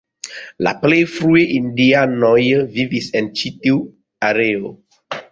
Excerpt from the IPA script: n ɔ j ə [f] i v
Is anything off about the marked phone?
yes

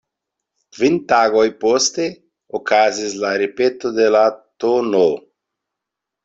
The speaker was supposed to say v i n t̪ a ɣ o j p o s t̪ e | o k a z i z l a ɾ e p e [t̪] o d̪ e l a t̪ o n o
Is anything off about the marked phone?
no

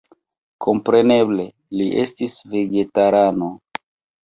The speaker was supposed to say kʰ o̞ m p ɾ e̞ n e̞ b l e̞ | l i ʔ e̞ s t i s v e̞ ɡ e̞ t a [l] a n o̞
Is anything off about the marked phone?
yes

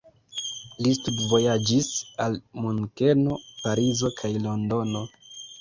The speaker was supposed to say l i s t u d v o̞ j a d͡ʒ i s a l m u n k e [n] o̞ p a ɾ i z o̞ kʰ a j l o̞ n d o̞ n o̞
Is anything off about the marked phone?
no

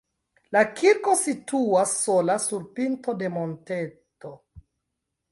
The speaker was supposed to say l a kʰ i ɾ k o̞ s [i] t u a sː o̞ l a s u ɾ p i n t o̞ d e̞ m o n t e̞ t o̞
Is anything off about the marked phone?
no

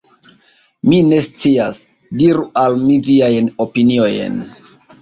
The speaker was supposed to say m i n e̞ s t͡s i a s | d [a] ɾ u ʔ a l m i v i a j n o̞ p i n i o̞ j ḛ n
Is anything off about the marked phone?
yes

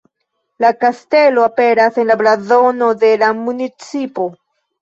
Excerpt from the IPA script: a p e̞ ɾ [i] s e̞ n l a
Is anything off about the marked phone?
yes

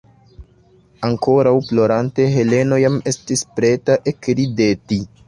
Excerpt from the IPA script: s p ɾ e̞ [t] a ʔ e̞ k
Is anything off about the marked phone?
no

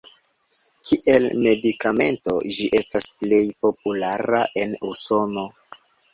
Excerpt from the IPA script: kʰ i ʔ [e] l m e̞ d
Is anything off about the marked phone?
no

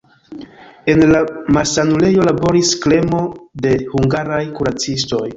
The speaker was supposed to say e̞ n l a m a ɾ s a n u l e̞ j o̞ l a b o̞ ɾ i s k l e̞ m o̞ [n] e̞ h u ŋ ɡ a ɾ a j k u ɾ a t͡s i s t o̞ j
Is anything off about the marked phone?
yes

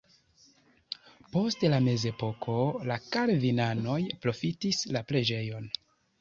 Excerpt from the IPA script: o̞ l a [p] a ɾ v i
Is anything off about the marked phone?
yes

